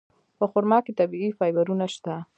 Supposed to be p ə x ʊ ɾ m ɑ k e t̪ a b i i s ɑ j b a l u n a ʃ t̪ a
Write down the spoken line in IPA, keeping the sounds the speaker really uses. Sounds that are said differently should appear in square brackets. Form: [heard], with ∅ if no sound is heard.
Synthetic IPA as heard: p ə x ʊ ɾ m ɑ k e t̪ a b i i [f] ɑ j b a [ɾ] u n a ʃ t̪ a